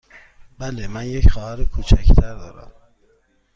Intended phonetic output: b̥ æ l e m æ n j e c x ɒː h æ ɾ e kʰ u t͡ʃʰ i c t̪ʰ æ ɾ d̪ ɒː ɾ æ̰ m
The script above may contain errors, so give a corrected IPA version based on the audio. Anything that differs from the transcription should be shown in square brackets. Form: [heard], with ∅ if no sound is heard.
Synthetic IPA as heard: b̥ æ l e m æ n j e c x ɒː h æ ɾ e kʰ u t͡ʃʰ [æ] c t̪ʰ æ ɾ d̪ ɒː ɾ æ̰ m